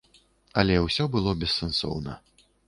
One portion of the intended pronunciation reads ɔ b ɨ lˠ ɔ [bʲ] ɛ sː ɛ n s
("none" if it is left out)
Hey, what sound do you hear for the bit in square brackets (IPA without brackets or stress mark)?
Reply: bʲ